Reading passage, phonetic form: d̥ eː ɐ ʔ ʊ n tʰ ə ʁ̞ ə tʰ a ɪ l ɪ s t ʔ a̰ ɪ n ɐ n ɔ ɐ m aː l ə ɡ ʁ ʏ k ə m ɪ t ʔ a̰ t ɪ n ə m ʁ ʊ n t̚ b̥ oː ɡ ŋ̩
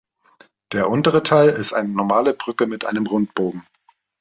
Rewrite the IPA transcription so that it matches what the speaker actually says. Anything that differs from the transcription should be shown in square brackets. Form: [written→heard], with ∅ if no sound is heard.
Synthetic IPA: d̥ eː ɐ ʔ ʊ n [tʰ→t] ə ʁ̞ ə tʰ a ɪ l ɪ s t ʔ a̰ ɪ n [ɐ→ə] n ɔ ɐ m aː l ə [ɡ→b] ʁ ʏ k ə m ɪ t ʔ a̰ [t→∅] ɪ n ə m ʁ ʊ n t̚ b̥ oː ɡ ŋ̩